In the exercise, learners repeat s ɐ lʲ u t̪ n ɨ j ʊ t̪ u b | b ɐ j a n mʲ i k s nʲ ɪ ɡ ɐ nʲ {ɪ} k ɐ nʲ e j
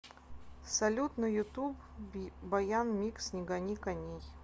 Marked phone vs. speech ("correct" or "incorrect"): incorrect